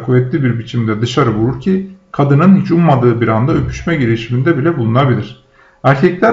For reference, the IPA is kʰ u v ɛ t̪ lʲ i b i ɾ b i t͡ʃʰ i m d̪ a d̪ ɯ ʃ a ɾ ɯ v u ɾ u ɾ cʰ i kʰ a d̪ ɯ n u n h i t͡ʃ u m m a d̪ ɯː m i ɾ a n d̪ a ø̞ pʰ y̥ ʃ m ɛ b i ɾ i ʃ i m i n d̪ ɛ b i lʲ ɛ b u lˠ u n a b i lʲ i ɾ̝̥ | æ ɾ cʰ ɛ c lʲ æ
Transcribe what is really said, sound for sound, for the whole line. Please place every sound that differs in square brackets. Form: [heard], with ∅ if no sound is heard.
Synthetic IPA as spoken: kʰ u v ɛ t̪ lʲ i b i ɾ b i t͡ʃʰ i m d̪ [ɛ] d̪ ɯ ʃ a ɾ ɯ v u ɾ u ɾ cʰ i kʰ a d̪ ɯ n [ɯ] n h i t͡ʃ u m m a d̪ ɯː [b] i ɾ a n d̪ a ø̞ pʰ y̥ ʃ m ɛ [ɟ] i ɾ i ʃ i m i n d̪ ɛ b i lʲ ɛ b u lˠ u n a b i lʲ i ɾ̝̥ | æ ɾ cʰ ɛ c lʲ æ